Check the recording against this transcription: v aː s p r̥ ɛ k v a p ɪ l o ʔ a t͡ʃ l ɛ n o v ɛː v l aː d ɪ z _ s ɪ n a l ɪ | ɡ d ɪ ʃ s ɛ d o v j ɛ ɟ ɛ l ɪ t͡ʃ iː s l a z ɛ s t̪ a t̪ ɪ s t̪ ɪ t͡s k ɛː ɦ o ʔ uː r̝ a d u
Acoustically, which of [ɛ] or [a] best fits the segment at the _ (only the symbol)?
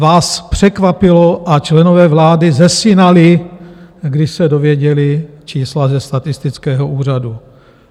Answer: ɛ